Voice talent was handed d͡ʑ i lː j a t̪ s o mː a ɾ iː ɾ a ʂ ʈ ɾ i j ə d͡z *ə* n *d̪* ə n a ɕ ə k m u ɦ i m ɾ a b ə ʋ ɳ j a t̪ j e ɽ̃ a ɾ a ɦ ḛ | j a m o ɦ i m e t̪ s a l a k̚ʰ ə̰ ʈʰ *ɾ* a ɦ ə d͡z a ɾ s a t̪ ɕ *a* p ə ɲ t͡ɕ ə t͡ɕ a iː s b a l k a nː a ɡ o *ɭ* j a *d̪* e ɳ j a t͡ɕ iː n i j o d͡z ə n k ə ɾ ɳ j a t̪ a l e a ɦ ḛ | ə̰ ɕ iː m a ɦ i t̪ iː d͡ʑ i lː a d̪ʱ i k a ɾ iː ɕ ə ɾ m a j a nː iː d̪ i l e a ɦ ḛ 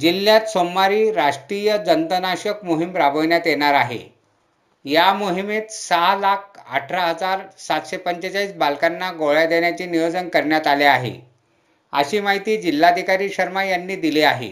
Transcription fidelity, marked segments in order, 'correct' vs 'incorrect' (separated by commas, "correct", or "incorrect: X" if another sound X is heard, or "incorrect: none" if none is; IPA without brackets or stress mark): correct, incorrect: t̪, correct, incorrect: e, correct, correct